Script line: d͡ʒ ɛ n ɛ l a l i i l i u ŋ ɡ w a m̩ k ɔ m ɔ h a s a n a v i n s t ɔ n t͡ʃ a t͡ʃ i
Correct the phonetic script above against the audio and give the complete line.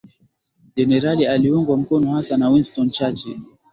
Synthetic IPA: d͡ʒ ɛ n ɛ ɾ a l i a l i u ŋ ɡ w a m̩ k ɔ n ɔ h a s a n a w i n s t ɔ n t͡ʃ a t͡ʃ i